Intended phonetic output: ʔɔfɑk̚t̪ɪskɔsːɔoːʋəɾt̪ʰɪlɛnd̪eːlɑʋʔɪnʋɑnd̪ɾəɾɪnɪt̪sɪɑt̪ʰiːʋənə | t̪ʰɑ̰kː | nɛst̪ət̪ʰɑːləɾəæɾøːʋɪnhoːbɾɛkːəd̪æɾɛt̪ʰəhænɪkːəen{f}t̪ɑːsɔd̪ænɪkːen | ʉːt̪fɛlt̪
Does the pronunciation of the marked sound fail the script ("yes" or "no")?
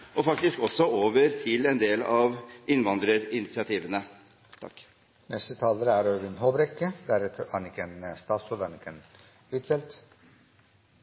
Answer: yes